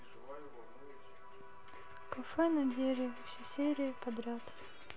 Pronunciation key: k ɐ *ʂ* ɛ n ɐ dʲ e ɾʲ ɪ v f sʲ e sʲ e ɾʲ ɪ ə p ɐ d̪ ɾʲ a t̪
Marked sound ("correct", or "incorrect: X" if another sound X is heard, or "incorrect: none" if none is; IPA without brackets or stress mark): incorrect: f